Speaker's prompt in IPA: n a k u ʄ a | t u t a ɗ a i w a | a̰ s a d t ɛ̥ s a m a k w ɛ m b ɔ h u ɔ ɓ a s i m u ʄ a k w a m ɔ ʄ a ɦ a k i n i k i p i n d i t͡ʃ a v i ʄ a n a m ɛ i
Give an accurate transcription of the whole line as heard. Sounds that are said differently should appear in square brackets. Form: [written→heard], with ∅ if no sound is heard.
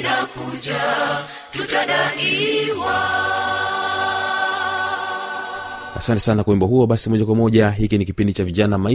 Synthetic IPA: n a k u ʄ a | t u t a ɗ a i w a | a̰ s a [d→n] t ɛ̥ s a [m→n] a k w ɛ m b ɔ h u ɔ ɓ a s i m [u→ɔ] ʄ a k w a m ɔ ʄ a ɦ [a→i] k i n i k i p i n d i t͡ʃ a v i ʄ a n a m [ɛ→a] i